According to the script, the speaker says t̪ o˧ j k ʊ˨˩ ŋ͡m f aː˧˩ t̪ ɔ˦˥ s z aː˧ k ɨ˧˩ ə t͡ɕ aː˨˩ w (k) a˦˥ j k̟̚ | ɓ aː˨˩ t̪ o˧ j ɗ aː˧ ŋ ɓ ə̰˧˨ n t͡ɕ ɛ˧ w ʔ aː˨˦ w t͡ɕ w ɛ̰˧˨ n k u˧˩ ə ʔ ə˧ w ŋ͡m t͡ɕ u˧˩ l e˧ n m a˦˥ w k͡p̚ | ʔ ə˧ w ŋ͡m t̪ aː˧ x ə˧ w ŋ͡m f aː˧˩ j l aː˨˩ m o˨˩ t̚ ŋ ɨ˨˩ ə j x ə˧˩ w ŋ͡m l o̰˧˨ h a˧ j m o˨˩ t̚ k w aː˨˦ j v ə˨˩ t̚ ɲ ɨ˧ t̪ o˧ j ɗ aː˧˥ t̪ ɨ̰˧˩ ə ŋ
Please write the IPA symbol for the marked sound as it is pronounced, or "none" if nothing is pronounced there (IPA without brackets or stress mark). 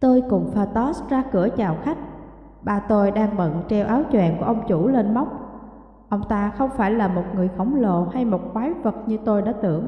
x